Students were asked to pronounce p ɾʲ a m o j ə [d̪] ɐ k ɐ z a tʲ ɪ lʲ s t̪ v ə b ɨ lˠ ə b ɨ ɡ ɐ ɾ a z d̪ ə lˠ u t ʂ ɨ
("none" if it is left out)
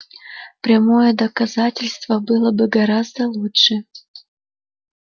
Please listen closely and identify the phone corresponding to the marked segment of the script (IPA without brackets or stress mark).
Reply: d̪